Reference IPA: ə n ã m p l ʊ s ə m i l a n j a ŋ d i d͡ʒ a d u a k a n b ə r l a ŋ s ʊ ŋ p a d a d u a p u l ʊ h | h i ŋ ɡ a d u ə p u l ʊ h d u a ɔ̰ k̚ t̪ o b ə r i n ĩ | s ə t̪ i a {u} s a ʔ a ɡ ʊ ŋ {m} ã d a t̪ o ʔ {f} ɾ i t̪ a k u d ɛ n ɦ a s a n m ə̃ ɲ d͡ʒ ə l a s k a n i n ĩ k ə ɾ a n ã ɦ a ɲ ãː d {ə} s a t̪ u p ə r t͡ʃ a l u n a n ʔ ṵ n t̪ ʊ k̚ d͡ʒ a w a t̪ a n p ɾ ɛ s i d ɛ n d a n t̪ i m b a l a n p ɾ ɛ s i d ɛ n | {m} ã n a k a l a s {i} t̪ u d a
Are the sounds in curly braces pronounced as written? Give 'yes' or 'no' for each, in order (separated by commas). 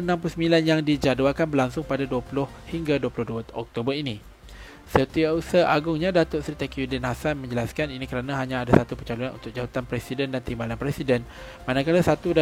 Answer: yes, no, no, no, yes, no